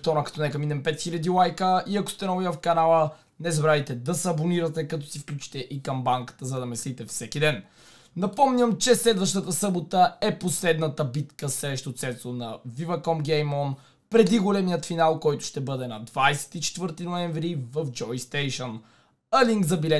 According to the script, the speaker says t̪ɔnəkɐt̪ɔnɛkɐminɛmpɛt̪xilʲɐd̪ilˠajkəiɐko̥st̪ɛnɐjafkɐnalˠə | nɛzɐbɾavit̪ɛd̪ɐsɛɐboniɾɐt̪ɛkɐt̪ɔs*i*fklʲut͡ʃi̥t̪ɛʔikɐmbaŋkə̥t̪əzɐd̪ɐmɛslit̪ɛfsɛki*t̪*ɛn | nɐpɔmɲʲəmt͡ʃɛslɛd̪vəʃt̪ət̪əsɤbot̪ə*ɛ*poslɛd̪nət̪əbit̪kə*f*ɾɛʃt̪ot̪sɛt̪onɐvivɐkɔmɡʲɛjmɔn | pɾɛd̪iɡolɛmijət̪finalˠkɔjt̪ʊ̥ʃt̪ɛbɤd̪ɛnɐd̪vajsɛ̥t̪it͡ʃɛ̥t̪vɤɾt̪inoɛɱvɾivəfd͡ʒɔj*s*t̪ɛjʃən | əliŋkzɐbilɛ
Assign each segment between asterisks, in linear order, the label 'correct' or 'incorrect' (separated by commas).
correct, incorrect, correct, incorrect, correct